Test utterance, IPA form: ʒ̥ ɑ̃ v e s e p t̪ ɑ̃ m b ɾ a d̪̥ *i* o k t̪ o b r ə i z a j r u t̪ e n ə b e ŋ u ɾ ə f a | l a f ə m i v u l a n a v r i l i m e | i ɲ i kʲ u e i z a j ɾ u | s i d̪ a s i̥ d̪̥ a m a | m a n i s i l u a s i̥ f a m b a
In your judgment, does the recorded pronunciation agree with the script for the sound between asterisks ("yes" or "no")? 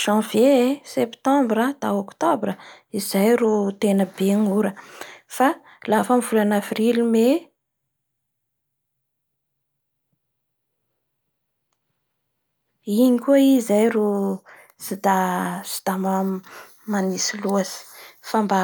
no